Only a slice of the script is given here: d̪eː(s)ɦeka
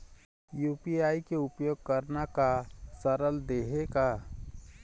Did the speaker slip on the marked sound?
yes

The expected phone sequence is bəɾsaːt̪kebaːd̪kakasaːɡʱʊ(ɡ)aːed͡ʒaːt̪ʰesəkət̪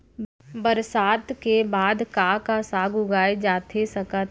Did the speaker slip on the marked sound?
no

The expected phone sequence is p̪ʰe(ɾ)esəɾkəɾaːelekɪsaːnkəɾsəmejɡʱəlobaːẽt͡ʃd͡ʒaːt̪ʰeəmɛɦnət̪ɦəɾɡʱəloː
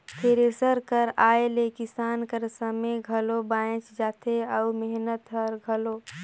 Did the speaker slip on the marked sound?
no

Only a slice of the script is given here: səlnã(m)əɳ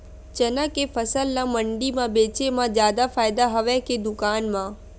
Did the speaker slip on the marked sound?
no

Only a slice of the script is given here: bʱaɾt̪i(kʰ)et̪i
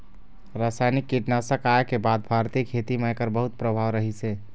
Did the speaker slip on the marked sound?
no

